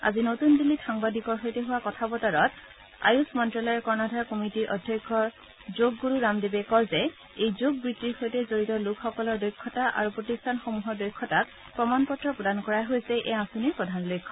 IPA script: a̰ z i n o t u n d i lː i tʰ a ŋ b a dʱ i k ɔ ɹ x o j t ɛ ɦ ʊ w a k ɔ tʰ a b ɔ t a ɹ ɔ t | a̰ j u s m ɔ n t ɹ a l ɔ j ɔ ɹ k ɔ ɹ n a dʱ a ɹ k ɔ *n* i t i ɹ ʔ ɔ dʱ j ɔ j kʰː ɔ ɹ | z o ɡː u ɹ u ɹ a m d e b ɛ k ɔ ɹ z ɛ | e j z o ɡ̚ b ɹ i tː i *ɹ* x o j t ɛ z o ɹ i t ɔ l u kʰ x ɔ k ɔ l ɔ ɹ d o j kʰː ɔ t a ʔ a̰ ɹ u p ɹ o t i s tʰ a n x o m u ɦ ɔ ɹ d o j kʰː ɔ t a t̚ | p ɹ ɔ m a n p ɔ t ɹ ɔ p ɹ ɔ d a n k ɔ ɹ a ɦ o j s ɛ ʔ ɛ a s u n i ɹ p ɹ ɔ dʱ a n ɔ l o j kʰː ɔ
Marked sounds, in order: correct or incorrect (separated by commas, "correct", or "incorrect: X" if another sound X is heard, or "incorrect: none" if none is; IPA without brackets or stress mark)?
incorrect: m, correct